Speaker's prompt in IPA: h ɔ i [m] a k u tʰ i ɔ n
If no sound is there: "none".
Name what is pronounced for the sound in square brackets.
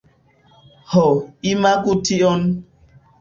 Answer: m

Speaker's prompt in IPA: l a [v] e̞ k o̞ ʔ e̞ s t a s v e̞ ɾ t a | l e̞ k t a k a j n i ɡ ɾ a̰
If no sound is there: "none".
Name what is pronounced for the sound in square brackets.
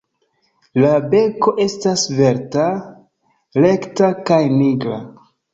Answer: b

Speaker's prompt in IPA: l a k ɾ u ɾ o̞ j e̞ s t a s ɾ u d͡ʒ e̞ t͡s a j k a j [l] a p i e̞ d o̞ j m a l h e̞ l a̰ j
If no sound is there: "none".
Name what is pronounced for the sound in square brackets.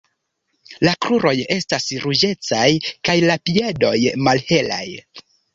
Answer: l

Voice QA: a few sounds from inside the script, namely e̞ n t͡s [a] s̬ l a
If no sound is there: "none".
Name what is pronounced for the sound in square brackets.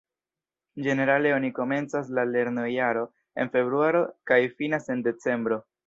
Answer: a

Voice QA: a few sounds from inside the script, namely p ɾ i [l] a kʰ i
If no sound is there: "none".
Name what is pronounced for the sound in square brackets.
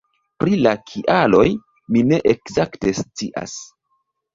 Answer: l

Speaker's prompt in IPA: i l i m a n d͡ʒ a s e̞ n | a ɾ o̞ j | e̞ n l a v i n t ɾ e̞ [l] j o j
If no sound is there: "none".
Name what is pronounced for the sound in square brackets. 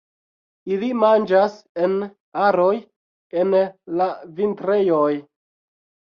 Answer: none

